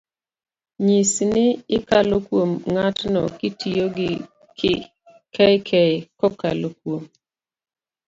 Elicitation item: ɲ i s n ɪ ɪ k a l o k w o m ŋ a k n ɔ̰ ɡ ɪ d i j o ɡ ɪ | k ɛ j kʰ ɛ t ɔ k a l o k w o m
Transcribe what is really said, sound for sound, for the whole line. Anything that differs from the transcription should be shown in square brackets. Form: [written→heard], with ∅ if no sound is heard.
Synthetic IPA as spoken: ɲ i s n ɪ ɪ k a l o k w o m ŋ a [k→t] n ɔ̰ [ɡ→k] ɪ [d→t] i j o ɡ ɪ | k ɛ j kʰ ɛ [t→k] ɔ k a l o k w o m